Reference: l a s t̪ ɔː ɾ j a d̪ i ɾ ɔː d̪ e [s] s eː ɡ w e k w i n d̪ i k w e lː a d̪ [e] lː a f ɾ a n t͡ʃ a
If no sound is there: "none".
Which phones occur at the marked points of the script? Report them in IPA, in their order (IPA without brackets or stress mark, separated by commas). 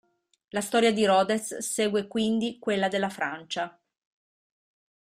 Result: s, e